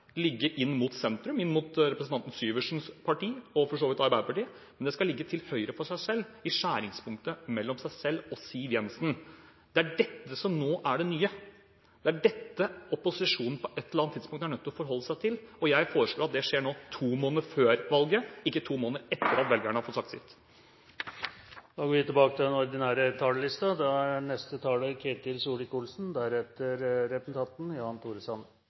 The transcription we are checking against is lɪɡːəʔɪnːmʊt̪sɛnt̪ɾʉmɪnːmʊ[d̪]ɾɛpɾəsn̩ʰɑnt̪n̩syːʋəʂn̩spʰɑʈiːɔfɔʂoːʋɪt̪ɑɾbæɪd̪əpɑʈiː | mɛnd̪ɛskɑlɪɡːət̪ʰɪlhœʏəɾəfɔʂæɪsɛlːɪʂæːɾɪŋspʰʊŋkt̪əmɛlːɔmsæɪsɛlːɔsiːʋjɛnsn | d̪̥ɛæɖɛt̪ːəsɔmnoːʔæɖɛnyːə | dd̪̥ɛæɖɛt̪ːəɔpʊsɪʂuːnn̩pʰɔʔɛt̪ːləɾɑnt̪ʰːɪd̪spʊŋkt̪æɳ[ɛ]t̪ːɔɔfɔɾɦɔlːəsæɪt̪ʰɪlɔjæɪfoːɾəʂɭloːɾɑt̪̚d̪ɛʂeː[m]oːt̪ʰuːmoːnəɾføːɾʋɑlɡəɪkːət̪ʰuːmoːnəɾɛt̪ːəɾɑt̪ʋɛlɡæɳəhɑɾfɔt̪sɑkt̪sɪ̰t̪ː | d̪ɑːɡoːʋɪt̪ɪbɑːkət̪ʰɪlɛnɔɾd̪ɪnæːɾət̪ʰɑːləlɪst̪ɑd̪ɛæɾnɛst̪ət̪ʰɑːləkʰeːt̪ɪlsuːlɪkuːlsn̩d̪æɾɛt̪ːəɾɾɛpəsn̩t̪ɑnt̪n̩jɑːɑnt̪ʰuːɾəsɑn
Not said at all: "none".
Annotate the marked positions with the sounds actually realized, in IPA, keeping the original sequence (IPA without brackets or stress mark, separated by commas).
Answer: t̪, œ, ɳ